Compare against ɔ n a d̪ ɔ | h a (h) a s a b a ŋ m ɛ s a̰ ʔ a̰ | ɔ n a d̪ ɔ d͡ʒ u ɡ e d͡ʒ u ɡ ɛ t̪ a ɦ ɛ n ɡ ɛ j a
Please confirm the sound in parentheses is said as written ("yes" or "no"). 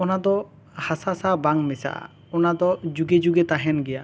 no